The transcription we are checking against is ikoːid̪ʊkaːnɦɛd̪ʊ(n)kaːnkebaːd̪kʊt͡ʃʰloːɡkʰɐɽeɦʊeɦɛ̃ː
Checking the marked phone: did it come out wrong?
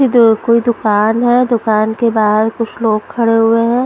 yes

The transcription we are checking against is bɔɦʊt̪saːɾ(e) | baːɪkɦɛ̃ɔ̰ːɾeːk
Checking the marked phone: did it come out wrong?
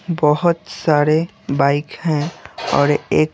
no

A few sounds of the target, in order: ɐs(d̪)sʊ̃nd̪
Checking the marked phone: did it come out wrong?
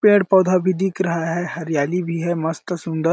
yes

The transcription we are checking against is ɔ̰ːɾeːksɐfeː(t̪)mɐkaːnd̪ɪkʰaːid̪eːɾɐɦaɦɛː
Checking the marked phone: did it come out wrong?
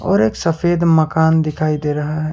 yes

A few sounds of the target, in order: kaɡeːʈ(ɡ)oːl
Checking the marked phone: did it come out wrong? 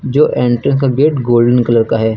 no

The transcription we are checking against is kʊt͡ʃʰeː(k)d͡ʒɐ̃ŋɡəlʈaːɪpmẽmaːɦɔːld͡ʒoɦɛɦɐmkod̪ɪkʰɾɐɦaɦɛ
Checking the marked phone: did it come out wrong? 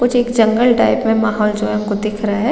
no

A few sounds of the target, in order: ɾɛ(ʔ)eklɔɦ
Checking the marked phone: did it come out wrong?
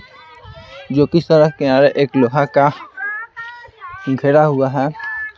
no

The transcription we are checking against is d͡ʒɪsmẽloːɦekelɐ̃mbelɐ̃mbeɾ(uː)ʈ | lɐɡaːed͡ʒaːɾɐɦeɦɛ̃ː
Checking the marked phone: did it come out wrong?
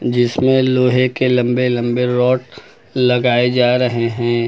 yes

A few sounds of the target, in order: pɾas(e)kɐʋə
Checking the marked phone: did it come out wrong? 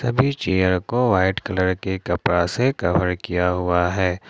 no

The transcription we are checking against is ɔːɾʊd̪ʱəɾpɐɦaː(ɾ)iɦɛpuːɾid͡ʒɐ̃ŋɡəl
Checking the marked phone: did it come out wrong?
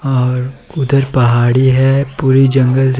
yes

